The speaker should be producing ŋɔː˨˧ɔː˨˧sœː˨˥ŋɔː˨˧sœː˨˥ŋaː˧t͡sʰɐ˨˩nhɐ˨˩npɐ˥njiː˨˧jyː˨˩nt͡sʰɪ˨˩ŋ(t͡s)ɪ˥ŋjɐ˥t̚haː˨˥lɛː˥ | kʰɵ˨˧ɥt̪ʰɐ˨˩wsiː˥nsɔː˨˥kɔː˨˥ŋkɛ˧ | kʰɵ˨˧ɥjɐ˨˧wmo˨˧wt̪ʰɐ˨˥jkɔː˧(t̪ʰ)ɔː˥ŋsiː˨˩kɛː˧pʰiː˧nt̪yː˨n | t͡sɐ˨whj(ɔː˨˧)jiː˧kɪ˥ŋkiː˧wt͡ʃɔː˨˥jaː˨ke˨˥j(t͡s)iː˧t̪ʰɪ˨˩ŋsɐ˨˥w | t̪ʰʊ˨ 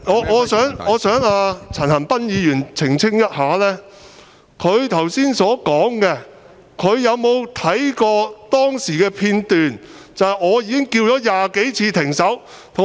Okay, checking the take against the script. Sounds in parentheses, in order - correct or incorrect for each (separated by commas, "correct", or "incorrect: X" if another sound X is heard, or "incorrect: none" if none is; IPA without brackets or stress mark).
incorrect: t͡sʰ, incorrect: t̪, correct, incorrect: t͡sʰ